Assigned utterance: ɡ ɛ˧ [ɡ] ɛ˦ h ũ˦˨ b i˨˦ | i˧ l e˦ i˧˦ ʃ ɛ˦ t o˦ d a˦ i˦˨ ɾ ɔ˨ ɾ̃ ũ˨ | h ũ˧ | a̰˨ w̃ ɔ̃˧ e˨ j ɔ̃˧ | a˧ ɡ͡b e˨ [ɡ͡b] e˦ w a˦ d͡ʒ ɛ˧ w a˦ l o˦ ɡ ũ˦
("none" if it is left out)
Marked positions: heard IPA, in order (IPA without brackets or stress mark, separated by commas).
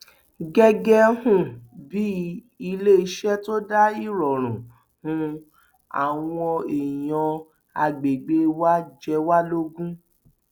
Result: ɡ, ɡ͡b